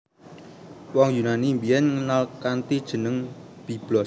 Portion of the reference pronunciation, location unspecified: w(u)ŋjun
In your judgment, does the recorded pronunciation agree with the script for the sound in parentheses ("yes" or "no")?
no